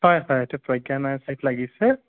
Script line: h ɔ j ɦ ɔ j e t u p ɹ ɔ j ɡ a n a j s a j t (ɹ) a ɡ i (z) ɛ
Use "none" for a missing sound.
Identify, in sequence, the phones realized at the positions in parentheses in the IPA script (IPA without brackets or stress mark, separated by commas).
l, s